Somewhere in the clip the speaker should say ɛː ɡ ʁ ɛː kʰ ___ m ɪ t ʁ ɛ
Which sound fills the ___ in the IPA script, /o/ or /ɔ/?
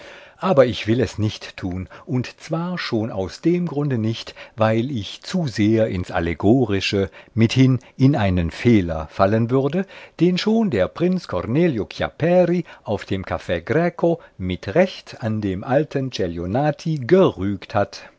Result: o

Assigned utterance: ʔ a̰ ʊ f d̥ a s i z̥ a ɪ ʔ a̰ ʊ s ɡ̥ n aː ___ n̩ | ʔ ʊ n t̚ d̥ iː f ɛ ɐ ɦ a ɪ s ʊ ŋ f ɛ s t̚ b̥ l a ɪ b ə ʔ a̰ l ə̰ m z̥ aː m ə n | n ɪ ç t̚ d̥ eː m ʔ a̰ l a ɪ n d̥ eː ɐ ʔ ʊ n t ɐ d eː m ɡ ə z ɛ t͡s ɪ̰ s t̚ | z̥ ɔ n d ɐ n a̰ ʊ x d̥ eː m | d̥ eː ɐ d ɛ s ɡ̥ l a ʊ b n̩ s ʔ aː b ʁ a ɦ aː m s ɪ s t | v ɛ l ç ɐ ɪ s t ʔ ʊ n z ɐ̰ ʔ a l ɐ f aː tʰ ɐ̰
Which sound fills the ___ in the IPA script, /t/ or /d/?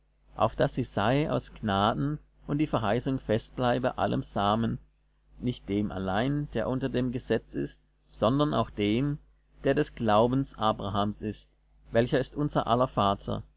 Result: d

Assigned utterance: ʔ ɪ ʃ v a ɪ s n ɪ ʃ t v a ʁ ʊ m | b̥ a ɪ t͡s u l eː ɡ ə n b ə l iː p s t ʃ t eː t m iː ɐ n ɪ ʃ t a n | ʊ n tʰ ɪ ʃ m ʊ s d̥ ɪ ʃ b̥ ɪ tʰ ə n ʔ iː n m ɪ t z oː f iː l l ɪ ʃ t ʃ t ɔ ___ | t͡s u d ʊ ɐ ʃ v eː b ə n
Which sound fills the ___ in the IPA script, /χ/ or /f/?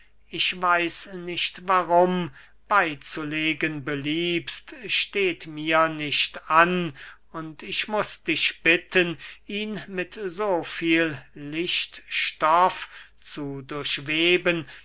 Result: f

